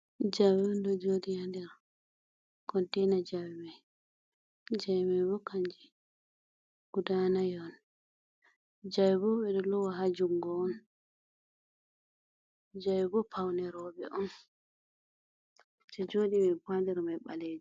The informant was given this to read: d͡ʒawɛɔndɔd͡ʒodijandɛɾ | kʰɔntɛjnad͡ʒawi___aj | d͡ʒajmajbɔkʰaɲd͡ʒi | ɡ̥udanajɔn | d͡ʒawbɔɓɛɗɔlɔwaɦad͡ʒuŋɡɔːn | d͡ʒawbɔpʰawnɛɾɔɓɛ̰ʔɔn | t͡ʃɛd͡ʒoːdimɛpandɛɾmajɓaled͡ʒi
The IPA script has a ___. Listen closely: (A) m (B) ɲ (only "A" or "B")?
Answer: A